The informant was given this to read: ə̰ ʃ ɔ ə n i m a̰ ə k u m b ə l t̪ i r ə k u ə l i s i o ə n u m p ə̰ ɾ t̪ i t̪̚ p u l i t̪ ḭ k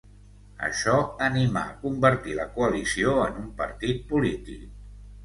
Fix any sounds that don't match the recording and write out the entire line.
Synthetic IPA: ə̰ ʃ ɔ ə n i m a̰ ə k u m b ə ɾ t̪ i l ə k u ə l i s i o ə n u m p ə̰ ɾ t̪ i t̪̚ p u l i t̪ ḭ k